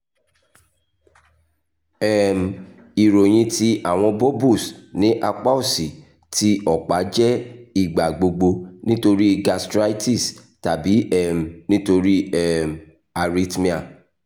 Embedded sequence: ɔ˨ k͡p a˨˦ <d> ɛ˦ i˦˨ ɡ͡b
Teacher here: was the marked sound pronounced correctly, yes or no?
no